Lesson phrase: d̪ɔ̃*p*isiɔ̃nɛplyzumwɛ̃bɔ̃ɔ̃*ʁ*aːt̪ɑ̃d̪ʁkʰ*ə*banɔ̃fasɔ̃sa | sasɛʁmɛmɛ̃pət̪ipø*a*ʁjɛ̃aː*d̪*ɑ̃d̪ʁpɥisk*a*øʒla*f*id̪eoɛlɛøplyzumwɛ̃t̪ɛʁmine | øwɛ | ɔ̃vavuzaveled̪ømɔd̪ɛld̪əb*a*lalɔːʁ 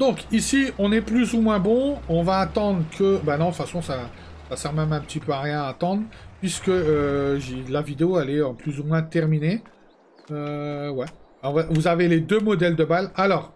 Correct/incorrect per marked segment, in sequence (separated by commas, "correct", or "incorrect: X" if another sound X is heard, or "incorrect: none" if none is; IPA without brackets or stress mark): incorrect: k, incorrect: v, correct, correct, incorrect: t̪, incorrect: ə, incorrect: v, correct